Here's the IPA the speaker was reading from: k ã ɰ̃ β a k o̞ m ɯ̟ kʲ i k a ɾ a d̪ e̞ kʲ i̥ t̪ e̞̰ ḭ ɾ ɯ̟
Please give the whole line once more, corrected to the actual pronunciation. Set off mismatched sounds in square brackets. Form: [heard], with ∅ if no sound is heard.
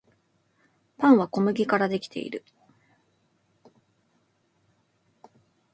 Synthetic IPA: [p] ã ɰ̃ β a k o̞ m ɯ̟ [ɡʲ] i k a ɾ a d̪ e̞ kʲ i̥ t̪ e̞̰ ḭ ɾ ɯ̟